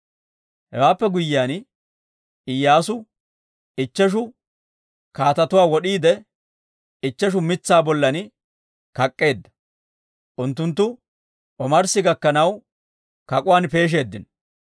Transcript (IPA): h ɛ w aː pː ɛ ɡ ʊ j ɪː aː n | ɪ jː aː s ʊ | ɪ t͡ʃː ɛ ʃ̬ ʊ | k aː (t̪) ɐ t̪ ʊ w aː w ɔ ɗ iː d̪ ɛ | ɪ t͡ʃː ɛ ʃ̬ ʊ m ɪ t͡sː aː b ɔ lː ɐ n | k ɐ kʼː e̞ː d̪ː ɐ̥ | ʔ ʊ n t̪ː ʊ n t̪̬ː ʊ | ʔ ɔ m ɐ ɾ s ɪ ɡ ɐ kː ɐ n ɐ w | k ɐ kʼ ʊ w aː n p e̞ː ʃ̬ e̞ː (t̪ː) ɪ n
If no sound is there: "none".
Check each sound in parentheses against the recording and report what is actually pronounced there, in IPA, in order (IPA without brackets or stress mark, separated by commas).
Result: t̪, d̪ː